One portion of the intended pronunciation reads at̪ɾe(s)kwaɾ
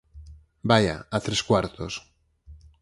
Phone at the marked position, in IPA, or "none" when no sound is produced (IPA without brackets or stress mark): s